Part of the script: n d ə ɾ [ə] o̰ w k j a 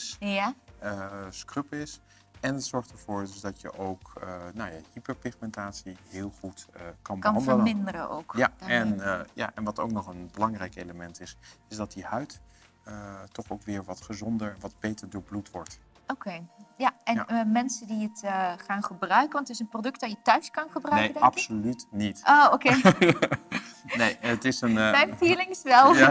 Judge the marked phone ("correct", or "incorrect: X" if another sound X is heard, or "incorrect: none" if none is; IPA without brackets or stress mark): correct